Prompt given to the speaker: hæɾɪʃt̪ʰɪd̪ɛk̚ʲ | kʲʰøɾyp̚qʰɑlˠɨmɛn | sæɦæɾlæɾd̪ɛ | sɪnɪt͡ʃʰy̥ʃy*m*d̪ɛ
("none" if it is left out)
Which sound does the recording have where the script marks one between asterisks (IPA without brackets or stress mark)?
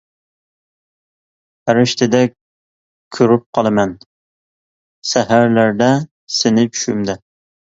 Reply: m